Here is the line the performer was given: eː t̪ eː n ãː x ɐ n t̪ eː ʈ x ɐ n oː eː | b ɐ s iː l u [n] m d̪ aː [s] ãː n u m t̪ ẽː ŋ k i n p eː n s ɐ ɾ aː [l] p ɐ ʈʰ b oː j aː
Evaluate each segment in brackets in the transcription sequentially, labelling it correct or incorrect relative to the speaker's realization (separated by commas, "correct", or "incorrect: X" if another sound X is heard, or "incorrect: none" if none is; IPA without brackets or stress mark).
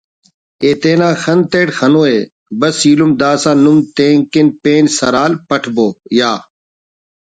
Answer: incorrect: none, correct, correct